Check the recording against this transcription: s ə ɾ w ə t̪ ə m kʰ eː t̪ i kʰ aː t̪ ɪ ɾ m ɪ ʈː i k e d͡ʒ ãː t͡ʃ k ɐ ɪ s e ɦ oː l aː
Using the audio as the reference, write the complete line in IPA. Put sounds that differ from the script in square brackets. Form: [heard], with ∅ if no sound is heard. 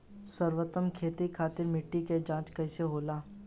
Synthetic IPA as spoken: s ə ɾ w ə t̪ ə m kʰ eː t̪ i kʰ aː t̪ ɪ ɾ m ɪ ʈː i k e d͡ʒ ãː t͡ʃ k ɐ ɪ s e ɦ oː l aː

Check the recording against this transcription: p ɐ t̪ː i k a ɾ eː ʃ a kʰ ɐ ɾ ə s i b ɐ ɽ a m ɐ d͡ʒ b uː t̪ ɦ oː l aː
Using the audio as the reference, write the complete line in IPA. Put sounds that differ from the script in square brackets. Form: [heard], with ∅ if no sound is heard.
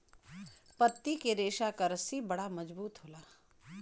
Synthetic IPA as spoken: p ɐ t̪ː i k [e] ɾ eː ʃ a [k] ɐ ɾ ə s i b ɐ ɽ a m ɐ d͡ʒ b uː t̪ ɦ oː l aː

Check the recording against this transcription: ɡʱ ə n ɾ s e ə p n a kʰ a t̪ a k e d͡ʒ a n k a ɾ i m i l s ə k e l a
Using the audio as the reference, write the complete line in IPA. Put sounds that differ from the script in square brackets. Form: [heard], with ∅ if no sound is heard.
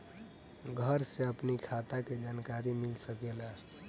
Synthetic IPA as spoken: ɡʱ ə [∅] ɾ s e ə p n [i] kʰ a t̪ a k e d͡ʒ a n k a ɾ i m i l s ə k e l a

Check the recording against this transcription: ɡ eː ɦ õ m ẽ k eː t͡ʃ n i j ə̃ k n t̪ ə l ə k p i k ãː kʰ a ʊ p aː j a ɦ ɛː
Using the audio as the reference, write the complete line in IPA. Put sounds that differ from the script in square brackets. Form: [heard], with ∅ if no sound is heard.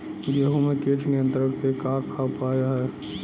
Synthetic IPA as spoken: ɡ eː ɦ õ m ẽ k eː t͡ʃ n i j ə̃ [∅] n t̪ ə [ɾ] ə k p [e] k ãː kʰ a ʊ p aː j a ɦ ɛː

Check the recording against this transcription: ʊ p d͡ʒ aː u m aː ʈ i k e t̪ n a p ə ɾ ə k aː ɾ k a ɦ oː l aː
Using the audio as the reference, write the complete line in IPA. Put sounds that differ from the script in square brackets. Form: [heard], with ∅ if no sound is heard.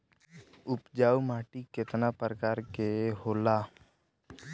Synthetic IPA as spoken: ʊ p d͡ʒ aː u m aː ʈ i k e t̪ n a p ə ɾ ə k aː ɾ k [e] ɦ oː l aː

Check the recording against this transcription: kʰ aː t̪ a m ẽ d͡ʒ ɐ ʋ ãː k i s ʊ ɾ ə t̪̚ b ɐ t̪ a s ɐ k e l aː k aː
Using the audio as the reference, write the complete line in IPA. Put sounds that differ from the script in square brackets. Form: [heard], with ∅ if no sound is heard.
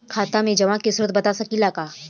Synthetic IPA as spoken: kʰ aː t̪ a m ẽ d͡ʒ ɐ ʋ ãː k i s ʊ ɾ ə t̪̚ b ɐ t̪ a s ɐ k [i] l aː k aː

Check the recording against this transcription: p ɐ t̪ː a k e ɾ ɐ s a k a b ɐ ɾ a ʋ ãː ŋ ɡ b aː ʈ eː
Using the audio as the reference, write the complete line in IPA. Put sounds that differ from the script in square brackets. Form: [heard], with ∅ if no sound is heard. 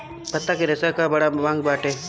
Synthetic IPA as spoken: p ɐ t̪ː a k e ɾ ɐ s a k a b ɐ [ɽ] a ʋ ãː ŋ ɡ b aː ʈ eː

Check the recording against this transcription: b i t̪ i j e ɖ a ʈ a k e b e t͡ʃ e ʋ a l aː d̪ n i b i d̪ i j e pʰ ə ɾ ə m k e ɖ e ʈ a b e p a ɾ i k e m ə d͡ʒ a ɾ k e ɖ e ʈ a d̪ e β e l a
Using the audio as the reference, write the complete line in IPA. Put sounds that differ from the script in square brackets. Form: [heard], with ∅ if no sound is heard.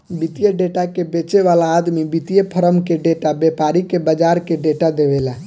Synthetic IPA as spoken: b i t̪ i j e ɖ [e] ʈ a k e b e t͡ʃ e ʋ a l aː d̪ [m] i b i [t̪] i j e pʰ ə ɾ ə m k e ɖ e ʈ a b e p a ɾ i k e [b] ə d͡ʒ a ɾ k e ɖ e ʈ a d̪ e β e l a

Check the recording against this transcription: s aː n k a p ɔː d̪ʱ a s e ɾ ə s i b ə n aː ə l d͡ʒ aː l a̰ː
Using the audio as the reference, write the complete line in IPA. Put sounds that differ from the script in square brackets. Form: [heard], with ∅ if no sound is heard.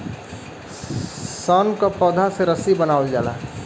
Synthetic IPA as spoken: s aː n k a p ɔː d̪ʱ a s e ɾ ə s i b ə n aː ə l d͡ʒ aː l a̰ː

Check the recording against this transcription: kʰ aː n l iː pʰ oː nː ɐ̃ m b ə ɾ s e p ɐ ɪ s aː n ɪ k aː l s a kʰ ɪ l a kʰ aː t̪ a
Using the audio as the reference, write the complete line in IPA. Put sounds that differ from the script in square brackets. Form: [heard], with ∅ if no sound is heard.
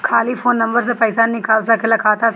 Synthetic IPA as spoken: kʰ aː [∅] l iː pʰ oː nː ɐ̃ m b ə ɾ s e p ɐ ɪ s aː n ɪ k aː l s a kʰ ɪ l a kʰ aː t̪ a

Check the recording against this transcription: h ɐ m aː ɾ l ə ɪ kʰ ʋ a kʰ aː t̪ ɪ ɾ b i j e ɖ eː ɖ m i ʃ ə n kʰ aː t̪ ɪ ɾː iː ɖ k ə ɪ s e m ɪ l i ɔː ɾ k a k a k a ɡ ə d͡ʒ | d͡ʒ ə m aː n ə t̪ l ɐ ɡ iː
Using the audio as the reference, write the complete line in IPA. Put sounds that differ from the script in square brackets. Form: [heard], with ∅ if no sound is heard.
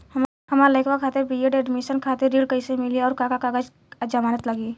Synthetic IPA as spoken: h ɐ m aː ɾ l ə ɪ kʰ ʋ a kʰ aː t̪ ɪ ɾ b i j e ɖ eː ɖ m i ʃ ə n kʰ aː t̪ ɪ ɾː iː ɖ k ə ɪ s e m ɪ l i ɔː ɾ k a k a k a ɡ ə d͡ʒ | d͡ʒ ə m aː n ə t̪ l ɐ ɡ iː

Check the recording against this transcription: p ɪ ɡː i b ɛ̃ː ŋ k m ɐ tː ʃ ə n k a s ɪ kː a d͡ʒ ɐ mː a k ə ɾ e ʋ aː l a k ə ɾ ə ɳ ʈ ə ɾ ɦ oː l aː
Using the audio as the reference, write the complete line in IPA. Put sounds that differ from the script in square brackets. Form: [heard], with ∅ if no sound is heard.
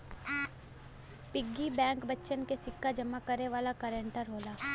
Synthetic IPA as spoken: p ɪ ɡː i b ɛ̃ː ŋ k [b] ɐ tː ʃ ə n k [e] s ɪ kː a d͡ʒ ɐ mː a k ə ɾ e ʋ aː l a k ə ɾ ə ɳ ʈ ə ɾ ɦ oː l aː

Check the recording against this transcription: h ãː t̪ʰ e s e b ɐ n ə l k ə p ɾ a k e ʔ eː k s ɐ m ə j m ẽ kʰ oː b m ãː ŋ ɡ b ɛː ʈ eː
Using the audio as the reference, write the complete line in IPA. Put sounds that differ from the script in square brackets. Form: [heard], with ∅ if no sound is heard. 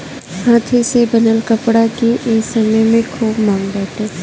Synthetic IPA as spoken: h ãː t̪ʰ e s e b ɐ n ə l k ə p [ɽ] a k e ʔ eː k s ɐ m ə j m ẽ kʰ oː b m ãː ŋ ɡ b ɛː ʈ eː

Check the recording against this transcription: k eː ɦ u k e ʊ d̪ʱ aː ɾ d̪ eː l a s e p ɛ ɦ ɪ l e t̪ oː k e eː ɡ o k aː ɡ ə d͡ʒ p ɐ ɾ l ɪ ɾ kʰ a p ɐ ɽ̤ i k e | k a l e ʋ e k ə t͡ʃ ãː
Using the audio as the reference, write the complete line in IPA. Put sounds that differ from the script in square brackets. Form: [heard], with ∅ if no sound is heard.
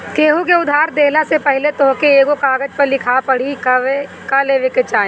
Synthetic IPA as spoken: k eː ɦ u k e ʊ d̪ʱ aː ɾ d̪ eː l a s e p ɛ ɦ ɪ l e t̪ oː k e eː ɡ o k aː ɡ ə d͡ʒ p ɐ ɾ l ɪ [∅] kʰ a p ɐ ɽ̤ i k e | k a l e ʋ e k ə t͡ʃ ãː

